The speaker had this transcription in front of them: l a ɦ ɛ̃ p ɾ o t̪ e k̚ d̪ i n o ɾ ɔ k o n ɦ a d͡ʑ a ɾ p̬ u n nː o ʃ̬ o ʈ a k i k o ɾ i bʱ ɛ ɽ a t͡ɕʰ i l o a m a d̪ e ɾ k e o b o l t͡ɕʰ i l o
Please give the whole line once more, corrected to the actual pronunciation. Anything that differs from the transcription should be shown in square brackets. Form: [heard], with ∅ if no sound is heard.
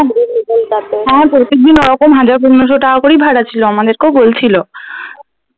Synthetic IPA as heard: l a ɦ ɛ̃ p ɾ o t̪ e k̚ d̪ i n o ɾ ɔ k o [m] ɦ a d͡ʑ a ɾ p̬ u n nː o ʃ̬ o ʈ a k [a] k o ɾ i bʱ [a] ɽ a t͡ɕʰ i l o a m a d̪ e ɾ k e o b o l t͡ɕʰ i l o